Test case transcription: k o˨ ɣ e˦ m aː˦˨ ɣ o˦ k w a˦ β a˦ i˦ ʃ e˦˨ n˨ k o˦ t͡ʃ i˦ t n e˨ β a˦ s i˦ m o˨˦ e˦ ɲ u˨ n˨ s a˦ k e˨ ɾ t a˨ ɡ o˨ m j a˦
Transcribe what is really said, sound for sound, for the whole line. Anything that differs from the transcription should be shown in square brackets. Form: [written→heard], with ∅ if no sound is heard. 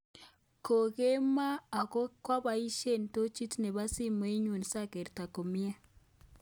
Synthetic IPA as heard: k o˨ ɣ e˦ m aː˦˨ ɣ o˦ k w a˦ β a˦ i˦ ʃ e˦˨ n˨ [k→t] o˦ t͡ʃ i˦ t n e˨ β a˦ s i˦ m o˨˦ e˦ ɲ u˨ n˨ s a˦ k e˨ ɾ t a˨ [ɡ→k] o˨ m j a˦